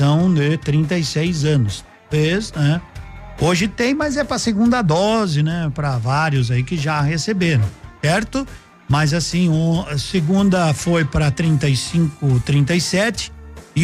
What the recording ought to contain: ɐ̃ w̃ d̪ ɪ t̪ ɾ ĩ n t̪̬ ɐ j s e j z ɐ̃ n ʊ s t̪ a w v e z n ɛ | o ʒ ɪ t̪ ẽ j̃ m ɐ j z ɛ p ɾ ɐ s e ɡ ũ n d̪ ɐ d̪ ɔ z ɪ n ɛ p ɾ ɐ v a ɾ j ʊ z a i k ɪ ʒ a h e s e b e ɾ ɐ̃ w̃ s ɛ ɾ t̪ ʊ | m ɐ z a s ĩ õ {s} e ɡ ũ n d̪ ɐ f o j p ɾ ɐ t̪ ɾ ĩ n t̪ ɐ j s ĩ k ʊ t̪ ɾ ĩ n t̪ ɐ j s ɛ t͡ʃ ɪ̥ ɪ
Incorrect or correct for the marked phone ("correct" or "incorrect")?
correct